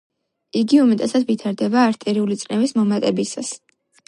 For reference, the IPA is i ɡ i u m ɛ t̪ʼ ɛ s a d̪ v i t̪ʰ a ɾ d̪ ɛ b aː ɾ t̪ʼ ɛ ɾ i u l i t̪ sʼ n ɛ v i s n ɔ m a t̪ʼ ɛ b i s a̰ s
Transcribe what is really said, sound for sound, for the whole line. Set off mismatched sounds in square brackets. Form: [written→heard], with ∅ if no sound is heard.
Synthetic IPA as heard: i ɡ i u m ɛ t̪ʼ ɛ s a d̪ v i t̪ʰ a ɾ d̪ ɛ b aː ɾ t̪ʼ ɛ ɾ i u l i t̪ sʼ n ɛ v i s [n→m] ɔ m a t̪ʼ ɛ b i s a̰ s